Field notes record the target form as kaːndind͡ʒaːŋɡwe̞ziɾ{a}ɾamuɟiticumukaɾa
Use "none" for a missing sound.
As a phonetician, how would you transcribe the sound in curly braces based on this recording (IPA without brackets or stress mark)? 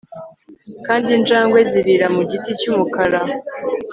i